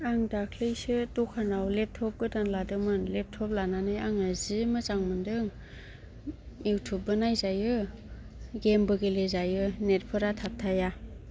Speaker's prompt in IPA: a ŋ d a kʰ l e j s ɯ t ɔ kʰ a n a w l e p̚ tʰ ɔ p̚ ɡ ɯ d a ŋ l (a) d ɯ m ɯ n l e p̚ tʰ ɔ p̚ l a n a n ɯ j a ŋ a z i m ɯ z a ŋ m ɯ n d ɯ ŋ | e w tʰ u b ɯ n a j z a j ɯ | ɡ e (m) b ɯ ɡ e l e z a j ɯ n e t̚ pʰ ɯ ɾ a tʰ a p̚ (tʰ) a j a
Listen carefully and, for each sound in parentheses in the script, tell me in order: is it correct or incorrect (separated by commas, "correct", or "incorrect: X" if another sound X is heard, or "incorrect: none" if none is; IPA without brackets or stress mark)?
correct, correct, correct